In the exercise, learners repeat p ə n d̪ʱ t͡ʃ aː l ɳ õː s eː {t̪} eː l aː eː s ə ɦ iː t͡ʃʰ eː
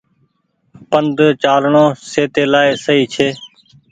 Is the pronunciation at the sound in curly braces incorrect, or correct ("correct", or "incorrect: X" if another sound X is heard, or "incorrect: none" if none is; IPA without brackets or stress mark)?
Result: correct